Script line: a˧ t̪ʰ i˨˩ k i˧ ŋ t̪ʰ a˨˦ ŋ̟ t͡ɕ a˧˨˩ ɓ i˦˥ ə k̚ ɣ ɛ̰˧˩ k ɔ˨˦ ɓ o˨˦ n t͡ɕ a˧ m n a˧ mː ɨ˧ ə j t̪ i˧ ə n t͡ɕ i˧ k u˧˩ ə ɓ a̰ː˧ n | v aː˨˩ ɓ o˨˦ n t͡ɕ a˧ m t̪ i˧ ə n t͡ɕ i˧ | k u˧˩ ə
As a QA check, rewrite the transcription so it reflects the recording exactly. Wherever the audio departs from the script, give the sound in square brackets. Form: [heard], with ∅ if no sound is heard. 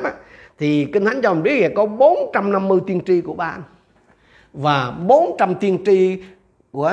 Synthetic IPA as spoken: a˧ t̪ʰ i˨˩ k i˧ ŋ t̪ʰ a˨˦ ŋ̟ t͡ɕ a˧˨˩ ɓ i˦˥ ə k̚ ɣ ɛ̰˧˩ k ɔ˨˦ ɓ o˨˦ n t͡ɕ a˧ m n a˧ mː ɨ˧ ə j t̪ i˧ ə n t͡ɕ i˧ k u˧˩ ə ɓ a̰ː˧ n | v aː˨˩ ɓ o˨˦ n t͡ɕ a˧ m t̪ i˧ ə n t͡ɕ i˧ | k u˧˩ ə